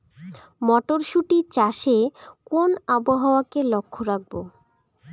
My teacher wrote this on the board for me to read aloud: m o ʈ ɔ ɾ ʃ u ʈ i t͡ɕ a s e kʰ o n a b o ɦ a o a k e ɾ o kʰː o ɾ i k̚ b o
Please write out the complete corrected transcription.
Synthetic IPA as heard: m ɔ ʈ o ɾ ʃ u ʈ i t͡ɕ a ʃ e k o n a b o ɦ a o a k e l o kʰː o ɾ a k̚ b o